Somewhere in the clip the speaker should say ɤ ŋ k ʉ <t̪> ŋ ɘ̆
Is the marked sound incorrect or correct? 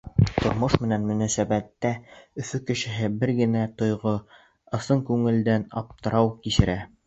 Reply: incorrect